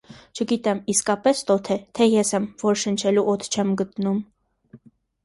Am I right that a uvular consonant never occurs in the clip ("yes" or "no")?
yes